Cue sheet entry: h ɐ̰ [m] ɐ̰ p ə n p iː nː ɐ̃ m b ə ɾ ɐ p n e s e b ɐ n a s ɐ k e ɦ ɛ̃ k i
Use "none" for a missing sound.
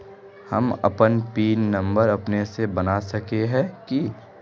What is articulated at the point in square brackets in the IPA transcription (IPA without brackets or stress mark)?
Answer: m